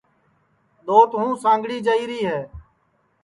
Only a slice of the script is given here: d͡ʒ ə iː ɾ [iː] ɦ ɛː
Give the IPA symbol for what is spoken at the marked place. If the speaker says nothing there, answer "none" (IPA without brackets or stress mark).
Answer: iː